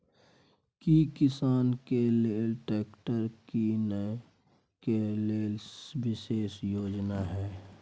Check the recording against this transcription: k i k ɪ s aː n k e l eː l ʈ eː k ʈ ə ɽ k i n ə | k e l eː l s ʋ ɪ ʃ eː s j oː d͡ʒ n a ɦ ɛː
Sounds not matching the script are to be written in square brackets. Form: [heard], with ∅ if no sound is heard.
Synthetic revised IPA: k i k ɪ s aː n k e l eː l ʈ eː k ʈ ə [ɾ] k i n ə | k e l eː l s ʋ ɪ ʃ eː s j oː d͡ʒ n a ɦ ɛː